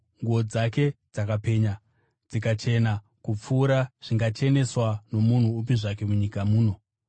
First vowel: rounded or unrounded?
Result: rounded